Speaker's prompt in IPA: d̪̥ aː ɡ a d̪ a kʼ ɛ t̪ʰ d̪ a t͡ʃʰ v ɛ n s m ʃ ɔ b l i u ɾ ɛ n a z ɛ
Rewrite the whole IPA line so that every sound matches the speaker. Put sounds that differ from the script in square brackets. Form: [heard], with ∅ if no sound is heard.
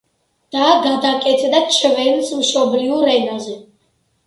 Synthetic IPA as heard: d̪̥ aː ɡ a d̪ a kʼ ɛ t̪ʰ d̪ a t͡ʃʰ v ɛ n s m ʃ ɔ b l i u ɾ ɛ n a z ɛ